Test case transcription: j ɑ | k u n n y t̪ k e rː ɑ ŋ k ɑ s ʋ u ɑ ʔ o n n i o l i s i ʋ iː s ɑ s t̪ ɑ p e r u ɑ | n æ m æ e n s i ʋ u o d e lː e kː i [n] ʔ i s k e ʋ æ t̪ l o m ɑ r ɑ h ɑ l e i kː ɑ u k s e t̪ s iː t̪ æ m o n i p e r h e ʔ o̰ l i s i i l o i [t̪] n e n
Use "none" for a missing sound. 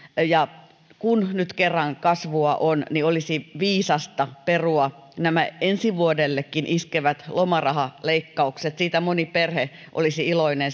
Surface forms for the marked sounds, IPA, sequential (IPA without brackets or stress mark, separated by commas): n, none